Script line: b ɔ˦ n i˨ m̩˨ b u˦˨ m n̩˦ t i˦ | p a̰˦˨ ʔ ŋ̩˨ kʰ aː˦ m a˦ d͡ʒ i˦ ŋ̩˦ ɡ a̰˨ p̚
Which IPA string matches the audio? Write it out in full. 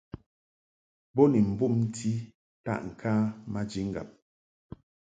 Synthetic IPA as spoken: b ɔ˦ n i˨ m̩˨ b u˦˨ m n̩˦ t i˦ | t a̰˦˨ ʔ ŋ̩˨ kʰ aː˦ m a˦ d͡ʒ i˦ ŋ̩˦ ɡ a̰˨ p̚